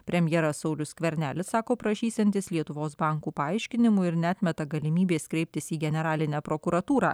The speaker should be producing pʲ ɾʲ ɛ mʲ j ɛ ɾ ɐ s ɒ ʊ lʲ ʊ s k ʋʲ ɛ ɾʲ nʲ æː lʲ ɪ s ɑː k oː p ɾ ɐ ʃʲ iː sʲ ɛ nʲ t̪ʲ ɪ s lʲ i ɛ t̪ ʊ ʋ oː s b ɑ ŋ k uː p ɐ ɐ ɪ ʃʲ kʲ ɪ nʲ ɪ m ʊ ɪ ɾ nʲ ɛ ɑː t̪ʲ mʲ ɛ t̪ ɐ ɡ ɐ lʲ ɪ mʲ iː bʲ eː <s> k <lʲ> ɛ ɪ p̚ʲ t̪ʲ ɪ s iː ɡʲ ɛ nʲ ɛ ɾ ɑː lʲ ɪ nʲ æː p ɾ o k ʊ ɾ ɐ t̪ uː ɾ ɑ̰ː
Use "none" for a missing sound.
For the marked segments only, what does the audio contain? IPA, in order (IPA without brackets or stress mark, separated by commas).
s, ɾʲ